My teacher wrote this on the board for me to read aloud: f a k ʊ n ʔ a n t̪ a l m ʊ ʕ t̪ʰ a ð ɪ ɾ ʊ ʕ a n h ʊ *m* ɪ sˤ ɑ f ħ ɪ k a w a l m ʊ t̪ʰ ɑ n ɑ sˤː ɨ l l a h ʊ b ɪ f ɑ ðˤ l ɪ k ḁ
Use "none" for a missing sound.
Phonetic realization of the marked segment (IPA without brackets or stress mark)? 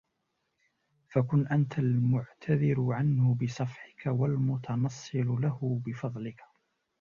b